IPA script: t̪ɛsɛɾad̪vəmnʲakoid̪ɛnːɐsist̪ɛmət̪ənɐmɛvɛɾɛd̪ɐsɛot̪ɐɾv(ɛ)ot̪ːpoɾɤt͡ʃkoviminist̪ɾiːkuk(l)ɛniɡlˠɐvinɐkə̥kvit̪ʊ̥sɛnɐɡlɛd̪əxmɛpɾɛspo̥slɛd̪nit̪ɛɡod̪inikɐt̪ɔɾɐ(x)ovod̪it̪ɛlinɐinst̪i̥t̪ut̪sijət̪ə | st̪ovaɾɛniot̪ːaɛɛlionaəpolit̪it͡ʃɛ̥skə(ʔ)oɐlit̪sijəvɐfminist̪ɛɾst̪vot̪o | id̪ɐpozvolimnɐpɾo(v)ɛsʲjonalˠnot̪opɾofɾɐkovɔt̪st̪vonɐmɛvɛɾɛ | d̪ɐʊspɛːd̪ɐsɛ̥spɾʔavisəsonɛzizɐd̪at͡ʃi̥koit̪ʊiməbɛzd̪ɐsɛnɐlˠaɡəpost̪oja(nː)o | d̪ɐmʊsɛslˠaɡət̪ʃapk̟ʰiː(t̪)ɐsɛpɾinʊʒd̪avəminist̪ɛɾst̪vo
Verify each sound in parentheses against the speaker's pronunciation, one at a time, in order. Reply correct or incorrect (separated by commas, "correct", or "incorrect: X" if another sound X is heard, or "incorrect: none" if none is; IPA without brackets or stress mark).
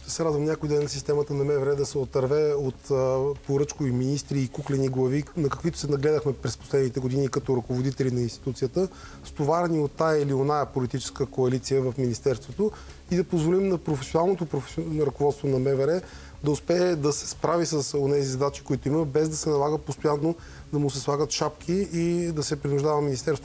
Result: correct, correct, incorrect: k, incorrect: k, incorrect: f, correct, incorrect: d̪